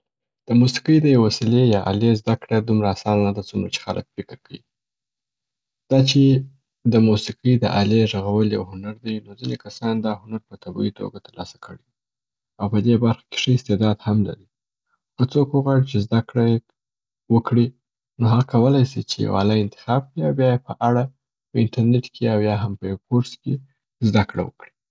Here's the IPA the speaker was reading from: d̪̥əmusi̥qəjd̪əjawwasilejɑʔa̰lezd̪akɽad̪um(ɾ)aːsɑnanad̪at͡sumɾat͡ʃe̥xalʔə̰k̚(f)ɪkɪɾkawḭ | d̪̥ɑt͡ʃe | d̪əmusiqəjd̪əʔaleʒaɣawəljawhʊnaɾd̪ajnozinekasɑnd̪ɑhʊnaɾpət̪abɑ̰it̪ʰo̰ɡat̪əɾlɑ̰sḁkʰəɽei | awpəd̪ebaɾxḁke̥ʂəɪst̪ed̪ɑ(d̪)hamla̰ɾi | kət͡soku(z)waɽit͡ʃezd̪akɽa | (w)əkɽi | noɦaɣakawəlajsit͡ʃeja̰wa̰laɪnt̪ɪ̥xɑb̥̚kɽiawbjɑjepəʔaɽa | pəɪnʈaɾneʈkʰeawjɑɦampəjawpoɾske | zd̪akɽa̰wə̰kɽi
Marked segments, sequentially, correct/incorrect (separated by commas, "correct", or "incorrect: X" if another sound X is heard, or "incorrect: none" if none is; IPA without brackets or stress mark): correct, correct, correct, incorrect: ɣ, correct